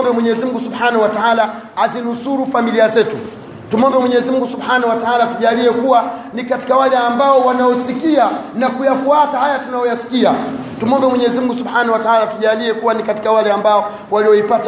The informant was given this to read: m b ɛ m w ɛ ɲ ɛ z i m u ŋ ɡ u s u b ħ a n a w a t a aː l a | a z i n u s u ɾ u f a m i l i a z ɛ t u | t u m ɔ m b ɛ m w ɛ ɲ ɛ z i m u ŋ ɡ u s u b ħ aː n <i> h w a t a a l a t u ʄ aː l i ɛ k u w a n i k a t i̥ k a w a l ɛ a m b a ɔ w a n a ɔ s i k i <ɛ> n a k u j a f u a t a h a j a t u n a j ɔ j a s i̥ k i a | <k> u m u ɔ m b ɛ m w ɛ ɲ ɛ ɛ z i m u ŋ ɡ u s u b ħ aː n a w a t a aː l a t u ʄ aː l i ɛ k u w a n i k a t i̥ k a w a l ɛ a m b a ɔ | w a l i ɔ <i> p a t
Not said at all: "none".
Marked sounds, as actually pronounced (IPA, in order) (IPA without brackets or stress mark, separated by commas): a, a, t, i